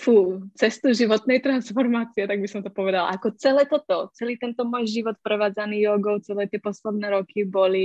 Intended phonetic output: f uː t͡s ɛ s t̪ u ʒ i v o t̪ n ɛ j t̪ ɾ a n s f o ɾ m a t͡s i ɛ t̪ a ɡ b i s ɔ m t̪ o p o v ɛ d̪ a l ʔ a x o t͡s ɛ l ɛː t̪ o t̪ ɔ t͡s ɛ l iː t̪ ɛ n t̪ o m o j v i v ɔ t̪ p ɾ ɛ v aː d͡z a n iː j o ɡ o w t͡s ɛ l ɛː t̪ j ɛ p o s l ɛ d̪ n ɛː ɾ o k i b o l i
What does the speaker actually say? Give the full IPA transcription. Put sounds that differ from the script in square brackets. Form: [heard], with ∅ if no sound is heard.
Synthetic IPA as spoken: f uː t͡s ɛ s t̪ u ʒ i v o t̪ n ɛ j t̪ ɾ a n s f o ɾ m a t͡s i ɛ t̪ a ɡ b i s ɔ m t̪ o p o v ɛ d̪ a l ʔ a [k] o t͡s ɛ l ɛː t̪ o t̪ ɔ t͡s ɛ l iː t̪ ɛ n t̪ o m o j [ʒ] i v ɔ t̪ p ɾ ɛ v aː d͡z a n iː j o ɡ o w t͡s ɛ l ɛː t̪ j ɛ p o s l ɛ d̪ n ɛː ɾ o k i b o l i